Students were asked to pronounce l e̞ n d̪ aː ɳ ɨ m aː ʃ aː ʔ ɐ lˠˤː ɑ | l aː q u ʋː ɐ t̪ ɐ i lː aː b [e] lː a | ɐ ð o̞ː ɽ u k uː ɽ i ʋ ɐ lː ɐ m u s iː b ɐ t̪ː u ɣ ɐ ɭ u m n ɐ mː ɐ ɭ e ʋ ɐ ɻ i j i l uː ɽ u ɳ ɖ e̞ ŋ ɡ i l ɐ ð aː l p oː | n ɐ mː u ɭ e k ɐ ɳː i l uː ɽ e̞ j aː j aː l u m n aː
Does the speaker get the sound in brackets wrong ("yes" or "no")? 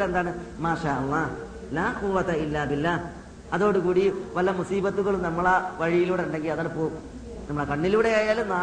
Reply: yes